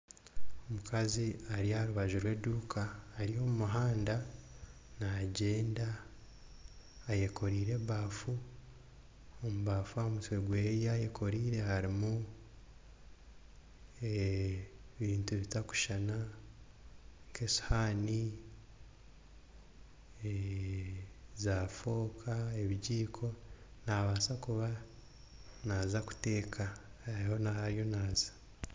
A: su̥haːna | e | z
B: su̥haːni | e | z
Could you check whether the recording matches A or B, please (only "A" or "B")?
B